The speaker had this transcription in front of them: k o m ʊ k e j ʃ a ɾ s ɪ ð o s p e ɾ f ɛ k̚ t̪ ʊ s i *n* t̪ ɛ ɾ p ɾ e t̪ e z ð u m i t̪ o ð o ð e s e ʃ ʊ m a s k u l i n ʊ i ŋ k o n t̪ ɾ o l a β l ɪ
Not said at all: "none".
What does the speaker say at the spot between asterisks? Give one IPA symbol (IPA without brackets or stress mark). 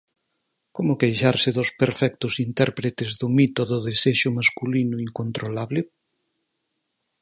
n